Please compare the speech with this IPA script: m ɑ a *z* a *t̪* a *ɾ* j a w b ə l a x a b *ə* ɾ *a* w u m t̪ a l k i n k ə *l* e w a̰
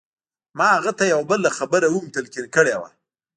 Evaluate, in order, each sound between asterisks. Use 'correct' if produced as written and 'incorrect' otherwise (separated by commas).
incorrect, correct, incorrect, correct, correct, incorrect